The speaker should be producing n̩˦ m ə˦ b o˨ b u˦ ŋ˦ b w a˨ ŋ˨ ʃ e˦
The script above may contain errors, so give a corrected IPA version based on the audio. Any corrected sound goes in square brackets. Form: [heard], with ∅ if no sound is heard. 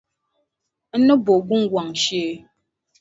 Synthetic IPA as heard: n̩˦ [n] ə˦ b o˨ [ɡ] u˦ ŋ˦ [ɡ] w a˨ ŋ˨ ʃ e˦